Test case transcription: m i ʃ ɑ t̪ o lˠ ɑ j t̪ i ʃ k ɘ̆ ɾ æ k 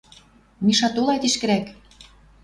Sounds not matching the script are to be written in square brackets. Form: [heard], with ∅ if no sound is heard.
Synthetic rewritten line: m i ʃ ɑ t̪ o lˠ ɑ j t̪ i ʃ k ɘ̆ ɾ æ k